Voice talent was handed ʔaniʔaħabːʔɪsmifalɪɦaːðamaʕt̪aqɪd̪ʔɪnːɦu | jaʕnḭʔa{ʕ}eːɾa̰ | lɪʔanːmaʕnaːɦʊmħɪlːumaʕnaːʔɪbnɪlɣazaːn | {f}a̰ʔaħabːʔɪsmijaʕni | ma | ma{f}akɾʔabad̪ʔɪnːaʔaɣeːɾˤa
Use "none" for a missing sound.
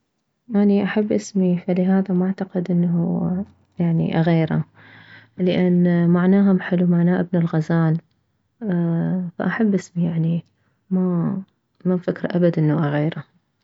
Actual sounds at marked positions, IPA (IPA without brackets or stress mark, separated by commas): ɣ, f, f